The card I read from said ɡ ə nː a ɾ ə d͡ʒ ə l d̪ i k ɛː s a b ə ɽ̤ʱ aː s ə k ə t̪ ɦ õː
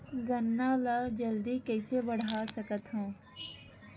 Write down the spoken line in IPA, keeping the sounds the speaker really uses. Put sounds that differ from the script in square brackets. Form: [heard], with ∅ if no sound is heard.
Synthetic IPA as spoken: ɡ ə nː a [l] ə d͡ʒ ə l d̪ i k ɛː s [e] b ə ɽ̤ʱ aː s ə k ə t̪ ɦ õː